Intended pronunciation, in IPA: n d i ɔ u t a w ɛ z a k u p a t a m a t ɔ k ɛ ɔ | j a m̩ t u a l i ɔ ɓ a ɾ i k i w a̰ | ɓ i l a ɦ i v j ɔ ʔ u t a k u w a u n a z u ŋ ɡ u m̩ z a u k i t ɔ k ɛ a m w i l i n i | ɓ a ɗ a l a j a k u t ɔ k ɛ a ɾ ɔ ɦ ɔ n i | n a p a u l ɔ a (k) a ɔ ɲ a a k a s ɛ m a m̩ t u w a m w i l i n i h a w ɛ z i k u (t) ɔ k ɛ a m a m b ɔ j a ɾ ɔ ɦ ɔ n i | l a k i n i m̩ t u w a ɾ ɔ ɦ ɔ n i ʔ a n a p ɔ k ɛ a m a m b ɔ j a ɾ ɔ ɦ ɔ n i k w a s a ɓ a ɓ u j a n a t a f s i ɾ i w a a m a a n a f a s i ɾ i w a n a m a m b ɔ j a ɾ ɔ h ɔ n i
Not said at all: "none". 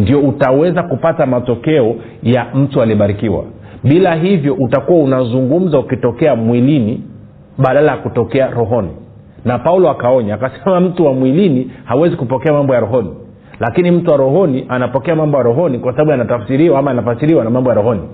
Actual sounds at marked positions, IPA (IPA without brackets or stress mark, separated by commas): k, p